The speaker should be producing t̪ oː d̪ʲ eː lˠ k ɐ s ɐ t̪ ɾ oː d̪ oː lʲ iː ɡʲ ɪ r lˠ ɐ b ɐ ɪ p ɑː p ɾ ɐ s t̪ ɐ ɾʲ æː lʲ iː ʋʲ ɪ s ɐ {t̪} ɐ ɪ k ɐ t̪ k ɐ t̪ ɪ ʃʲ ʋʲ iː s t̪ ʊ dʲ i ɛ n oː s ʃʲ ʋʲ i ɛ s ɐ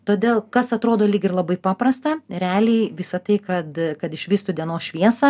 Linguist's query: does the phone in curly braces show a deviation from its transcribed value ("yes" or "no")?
no